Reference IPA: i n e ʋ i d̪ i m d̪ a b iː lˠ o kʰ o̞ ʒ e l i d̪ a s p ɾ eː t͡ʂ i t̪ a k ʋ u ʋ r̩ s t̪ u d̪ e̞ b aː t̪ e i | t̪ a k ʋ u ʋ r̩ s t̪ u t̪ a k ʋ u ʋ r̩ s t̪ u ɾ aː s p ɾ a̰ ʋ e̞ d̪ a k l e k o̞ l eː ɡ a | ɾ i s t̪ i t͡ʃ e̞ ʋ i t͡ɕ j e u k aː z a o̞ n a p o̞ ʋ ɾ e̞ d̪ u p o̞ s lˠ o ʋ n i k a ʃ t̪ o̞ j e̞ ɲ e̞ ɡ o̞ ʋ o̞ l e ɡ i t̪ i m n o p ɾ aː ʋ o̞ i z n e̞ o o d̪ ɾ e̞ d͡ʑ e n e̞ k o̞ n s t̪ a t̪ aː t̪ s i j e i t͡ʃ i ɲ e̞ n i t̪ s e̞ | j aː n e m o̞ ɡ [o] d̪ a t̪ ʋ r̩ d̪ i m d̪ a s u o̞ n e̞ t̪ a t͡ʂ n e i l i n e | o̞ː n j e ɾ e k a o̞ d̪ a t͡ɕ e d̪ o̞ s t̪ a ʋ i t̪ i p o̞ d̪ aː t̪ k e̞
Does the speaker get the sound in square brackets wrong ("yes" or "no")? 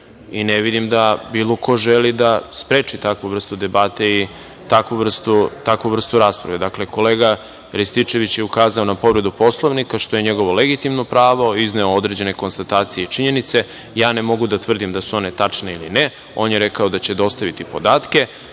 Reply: yes